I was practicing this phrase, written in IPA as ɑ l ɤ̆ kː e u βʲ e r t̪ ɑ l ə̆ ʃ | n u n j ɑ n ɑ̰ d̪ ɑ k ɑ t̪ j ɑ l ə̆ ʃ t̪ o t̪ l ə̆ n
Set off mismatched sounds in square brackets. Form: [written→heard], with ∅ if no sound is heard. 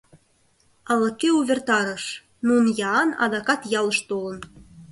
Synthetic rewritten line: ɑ l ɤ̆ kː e u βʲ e r t̪ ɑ [l→ɾ] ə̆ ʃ | n u n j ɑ n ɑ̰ d̪ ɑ k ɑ t̪ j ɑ l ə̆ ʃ t̪ o [t̪→∅] l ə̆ n